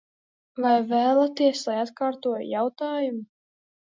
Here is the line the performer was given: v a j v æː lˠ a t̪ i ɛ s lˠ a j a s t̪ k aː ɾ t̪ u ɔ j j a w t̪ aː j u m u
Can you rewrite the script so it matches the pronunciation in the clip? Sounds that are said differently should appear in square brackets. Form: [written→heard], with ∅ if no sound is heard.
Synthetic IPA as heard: v a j v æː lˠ a t̪ i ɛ s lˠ a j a [s→∅] t̪ k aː ɾ t̪ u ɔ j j a w t̪ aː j u m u